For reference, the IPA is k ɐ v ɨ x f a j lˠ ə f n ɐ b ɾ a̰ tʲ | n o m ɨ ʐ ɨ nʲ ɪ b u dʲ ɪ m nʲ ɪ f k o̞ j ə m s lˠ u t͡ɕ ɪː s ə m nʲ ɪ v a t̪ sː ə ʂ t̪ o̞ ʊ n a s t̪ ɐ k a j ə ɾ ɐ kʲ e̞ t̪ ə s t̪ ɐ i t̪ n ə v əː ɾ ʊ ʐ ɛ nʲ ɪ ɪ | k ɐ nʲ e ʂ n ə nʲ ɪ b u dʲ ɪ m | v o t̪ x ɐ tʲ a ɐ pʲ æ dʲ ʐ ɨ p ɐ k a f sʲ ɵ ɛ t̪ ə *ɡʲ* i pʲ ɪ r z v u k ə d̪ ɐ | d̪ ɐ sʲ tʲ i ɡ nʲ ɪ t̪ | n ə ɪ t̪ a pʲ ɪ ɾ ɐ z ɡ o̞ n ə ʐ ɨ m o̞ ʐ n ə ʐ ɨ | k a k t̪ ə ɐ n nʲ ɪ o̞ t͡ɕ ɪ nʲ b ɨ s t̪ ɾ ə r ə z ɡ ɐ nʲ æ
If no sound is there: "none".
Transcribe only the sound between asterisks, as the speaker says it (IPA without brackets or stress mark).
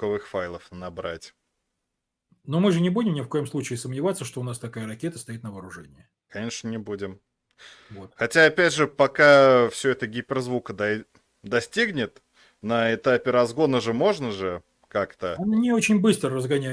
ɡʲ